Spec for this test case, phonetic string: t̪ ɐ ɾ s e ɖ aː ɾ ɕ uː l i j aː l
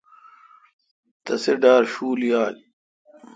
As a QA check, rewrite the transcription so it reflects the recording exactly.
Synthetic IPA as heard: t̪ ɐ s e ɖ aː ɾ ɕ uː l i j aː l

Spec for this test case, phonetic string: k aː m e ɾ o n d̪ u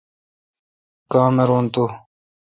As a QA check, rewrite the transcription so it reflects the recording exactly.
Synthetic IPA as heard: k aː m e ɾ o n t̪ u

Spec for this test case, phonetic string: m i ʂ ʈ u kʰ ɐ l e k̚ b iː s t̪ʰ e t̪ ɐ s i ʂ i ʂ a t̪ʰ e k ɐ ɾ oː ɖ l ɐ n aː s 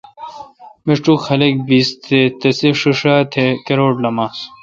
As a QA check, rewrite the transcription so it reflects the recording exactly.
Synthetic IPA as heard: m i ʂ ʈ u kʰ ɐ l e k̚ b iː s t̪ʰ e t̪ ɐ s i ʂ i ʂ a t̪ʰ e k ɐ ɾ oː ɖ l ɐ m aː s

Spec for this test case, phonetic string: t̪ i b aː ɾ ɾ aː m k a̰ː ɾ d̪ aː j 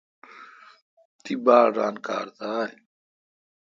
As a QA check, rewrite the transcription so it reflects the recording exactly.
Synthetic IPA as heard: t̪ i b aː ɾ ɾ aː n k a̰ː ɾ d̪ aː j

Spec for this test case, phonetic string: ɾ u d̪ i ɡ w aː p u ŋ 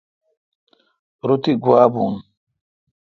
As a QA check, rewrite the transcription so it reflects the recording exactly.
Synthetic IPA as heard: ɾ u t̪ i ɡ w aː b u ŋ

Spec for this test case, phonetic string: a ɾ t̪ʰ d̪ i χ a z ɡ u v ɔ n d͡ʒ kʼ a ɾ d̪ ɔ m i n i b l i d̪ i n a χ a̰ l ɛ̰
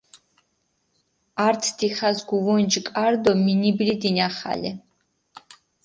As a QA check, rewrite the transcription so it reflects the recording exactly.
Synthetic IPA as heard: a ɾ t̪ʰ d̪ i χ a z ɡ u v ɔ n d͡ʒ kʼ a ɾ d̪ ɔ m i n i b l i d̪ i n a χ a̰ l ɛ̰

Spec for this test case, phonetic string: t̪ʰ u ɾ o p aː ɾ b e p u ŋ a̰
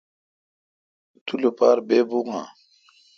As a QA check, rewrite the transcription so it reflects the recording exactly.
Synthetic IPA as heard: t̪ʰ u l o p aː ɾ b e b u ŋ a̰

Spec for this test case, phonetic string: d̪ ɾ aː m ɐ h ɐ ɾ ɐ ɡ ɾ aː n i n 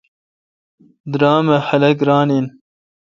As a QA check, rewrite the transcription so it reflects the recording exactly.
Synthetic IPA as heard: d̪ ɾ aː m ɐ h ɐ l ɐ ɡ ɾ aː n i n

